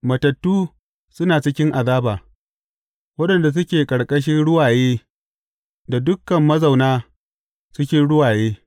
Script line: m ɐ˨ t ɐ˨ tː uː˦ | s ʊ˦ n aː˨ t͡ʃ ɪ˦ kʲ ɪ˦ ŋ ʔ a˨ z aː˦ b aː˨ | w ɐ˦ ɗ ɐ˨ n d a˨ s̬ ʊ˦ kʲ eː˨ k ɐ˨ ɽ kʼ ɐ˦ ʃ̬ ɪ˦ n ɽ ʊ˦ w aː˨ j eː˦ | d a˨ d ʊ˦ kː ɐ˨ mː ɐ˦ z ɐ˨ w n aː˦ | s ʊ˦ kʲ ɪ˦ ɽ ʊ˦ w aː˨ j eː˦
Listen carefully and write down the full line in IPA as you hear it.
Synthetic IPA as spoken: m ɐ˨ t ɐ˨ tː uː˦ | s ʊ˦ n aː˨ t͡ʃ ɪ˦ kʲ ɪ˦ ŋ ʔ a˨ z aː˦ b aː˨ | w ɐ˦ ɗ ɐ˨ n d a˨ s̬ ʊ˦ kʲ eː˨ kʼ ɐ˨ ɽ kʼ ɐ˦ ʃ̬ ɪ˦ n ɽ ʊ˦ w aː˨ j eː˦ | d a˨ d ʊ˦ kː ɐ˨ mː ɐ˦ z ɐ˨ w n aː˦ | s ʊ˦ kʲ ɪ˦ ɽ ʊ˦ w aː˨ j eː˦